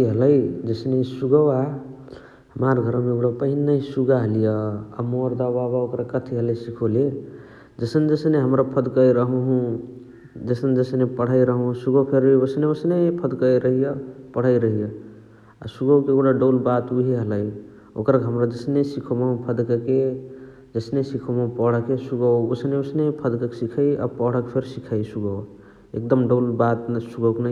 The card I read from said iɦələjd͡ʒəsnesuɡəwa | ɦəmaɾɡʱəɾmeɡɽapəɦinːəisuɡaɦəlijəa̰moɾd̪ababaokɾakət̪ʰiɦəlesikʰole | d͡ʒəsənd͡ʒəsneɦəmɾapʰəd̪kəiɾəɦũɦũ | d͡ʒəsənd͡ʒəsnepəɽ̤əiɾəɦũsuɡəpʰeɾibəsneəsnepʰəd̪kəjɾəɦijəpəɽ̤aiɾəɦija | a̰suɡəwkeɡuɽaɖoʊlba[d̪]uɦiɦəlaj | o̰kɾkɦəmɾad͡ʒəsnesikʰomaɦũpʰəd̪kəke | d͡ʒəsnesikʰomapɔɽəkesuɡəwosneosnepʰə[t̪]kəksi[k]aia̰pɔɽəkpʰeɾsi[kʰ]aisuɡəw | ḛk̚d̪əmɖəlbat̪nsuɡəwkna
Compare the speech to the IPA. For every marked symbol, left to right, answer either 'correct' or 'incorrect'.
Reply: incorrect: t̪, incorrect: d̪, incorrect: kʰ, correct

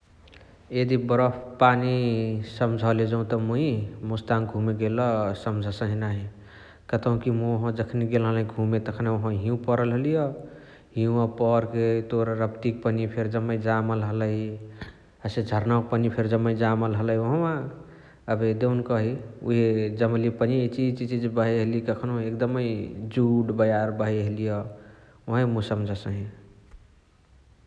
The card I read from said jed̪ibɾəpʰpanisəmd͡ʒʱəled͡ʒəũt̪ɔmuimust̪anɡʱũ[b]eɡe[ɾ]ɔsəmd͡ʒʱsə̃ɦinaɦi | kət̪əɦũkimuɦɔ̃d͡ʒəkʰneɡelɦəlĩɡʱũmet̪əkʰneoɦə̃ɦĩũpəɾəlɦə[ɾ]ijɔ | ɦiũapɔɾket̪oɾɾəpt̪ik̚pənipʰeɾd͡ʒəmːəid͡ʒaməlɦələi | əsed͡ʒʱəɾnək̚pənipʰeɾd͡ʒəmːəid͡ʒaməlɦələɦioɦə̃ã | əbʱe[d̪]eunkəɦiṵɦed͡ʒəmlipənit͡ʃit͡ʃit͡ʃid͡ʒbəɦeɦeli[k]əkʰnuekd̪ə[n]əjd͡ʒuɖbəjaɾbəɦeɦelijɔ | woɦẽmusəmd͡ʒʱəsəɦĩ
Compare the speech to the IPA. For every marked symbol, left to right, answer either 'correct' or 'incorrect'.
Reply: incorrect: m, incorrect: l, incorrect: l, correct, correct, incorrect: m

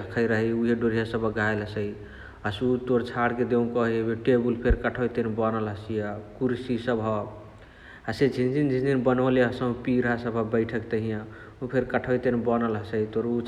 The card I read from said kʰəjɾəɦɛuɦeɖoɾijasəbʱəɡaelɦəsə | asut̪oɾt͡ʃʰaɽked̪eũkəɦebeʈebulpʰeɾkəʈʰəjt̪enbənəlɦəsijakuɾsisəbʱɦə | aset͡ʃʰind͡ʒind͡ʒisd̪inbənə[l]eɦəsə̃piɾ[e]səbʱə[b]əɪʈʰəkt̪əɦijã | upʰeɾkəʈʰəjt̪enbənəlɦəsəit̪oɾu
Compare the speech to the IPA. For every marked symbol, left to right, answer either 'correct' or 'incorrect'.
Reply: correct, incorrect: a, correct

